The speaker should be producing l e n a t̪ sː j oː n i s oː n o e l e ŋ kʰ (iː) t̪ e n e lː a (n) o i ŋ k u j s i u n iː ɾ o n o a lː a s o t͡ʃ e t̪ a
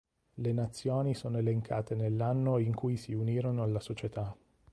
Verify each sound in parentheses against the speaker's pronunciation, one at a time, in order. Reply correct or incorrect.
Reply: incorrect: aː, incorrect: nː

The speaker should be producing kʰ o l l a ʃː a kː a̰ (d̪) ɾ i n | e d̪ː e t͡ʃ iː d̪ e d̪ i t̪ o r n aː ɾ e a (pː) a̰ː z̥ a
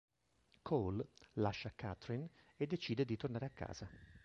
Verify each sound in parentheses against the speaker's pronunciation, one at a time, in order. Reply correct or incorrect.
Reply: incorrect: t̪, incorrect: kː

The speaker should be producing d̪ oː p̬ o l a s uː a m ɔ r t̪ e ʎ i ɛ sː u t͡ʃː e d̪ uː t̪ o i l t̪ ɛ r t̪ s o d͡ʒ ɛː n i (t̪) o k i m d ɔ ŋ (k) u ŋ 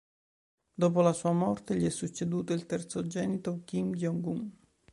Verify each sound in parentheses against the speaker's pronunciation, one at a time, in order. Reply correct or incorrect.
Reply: correct, incorrect: ɡ

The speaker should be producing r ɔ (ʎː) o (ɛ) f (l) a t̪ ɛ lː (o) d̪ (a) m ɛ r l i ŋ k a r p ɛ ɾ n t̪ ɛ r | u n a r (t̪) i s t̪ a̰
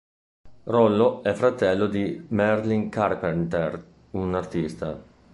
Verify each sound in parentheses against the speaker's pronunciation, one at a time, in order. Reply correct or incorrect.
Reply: incorrect: lː, correct, incorrect: ɾ, correct, incorrect: i, correct

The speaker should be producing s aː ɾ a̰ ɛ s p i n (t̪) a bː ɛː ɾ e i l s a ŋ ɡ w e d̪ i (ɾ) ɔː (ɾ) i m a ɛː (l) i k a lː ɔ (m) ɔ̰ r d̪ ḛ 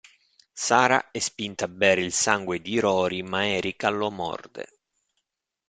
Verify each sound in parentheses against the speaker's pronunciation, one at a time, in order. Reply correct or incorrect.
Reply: correct, correct, correct, incorrect: ɾ, correct

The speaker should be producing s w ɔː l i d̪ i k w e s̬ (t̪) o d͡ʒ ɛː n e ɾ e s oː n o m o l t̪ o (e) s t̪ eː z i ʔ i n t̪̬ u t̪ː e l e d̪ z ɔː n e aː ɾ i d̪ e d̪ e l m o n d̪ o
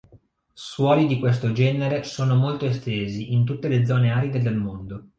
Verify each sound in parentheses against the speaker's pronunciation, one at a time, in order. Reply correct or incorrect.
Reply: correct, correct

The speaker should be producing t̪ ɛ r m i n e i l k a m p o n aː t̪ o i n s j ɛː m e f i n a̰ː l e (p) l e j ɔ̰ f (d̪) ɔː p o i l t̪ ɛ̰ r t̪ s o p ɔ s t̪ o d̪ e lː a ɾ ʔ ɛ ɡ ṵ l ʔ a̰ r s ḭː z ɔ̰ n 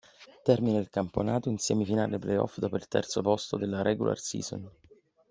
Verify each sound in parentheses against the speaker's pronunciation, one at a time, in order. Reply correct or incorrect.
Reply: correct, correct

